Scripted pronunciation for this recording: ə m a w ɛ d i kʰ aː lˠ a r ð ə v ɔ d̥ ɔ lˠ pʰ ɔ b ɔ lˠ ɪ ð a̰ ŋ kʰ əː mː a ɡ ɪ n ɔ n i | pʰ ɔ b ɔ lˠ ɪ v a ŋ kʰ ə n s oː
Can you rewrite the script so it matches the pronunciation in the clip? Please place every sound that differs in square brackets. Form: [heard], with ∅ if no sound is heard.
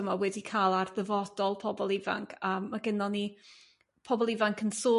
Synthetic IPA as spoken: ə m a w ɛ d i kʰ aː lˠ a r ð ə v ɔ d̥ ɔ lˠ pʰ ɔ b ɔ lˠ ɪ [v] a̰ ŋ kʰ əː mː a ɡ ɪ n ɔ n i | pʰ ɔ b ɔ lˠ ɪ v a ŋ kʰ ə n s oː